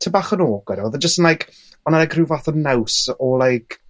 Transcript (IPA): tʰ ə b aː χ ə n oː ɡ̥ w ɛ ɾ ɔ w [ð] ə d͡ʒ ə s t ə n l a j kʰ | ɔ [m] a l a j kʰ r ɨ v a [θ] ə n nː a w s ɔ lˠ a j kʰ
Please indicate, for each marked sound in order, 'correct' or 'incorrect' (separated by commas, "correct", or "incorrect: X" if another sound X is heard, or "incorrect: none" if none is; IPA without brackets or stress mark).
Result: correct, incorrect: n, correct